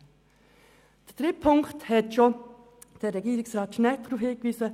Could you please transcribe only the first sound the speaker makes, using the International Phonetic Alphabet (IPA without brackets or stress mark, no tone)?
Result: d̥